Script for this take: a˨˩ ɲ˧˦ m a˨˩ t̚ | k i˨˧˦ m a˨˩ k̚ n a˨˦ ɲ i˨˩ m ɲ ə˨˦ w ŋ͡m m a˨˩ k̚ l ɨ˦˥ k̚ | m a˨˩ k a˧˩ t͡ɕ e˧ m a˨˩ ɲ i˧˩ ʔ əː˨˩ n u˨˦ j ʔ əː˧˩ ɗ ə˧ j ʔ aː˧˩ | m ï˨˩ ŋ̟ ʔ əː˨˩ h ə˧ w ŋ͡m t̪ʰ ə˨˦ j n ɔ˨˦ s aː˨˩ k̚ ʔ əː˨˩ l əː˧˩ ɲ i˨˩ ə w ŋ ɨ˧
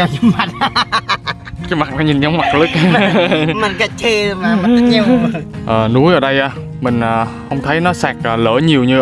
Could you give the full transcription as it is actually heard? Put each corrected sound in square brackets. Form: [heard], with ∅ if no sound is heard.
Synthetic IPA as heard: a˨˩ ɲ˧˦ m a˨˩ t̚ | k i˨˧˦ m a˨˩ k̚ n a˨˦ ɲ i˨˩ [n] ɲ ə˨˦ w ŋ͡m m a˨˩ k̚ l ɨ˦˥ k̚ | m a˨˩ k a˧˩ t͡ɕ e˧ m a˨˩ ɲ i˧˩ ʔ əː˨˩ n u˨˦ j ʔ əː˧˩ ɗ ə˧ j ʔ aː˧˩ | m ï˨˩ ŋ̟ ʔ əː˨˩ h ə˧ w ŋ͡m t̪ʰ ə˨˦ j n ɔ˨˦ s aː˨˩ k̚ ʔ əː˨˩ l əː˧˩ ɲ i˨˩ ə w [ɲ] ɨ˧